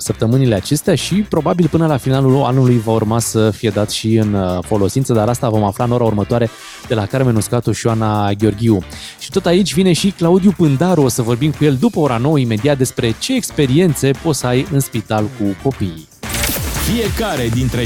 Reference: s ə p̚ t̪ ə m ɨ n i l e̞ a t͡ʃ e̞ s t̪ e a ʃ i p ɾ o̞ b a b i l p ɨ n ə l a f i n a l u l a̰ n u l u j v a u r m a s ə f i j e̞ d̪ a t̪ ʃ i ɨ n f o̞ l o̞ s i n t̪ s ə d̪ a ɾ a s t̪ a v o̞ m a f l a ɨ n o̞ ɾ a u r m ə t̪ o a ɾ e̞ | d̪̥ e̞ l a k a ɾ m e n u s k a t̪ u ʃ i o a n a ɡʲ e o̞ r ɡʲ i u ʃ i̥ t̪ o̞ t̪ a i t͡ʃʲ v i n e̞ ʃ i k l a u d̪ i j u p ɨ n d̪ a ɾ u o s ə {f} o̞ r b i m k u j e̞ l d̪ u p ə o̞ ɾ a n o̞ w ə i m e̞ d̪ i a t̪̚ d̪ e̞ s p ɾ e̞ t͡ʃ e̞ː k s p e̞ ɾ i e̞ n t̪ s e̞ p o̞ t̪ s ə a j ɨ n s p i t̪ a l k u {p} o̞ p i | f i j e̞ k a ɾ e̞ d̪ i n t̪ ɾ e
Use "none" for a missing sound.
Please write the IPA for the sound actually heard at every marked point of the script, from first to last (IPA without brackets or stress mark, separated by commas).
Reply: v, k